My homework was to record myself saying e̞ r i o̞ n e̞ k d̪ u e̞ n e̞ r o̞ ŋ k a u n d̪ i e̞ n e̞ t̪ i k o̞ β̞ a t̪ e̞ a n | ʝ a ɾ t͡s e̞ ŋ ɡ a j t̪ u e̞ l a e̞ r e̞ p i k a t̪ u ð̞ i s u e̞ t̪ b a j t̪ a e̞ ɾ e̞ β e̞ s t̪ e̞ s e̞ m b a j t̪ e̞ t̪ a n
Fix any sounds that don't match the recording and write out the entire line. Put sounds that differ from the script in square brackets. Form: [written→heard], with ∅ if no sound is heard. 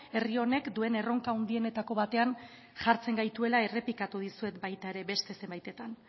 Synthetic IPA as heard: e̞ r i o̞ n e̞ k d̪ u e̞ n e̞ r o̞ ŋ k a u n d̪ i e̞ n e̞ t̪ [i→a] k o̞ β̞ a t̪ e̞ a n | ʝ a ɾ t͡s e̞ ŋ ɡ a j t̪ u e̞ l a e̞ r e̞ p i k a t̪ u ð̞ i s u e̞ t̪ b a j t̪ a e̞ ɾ e̞ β e̞ s t̪ e̞ s e̞ m b a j t̪ e̞ t̪ a n